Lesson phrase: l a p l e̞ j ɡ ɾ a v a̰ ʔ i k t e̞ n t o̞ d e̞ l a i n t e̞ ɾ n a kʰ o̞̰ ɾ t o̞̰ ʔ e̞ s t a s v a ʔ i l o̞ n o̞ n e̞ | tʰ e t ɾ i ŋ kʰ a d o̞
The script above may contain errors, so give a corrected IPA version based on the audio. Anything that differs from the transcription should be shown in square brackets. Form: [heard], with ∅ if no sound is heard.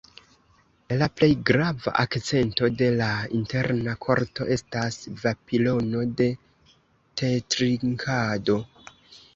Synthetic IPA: l a p l e̞ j ɡ ɾ a v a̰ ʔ [a] k [t͡s] e̞ n t o̞ d e̞ l a i n t e̞ ɾ n a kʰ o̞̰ ɾ t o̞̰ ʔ e̞ s t a s v a [p] i l o̞ n o̞ [d] e̞ | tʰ e t ɾ i ŋ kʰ a d o̞